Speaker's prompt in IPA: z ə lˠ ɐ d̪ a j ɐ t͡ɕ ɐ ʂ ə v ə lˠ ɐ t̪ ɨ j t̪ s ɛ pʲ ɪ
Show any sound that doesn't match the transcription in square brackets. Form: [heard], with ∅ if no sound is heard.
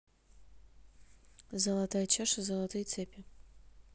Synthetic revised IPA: z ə lˠ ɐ [t̪] a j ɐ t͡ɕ [a] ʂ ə [z] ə lˠ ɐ t̪ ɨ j t̪ s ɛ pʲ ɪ